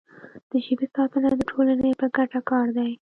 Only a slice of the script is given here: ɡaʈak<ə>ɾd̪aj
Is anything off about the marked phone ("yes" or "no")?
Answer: yes